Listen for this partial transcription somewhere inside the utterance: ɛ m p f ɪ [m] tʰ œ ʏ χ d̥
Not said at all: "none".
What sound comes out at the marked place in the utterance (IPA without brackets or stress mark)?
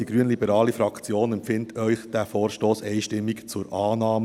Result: n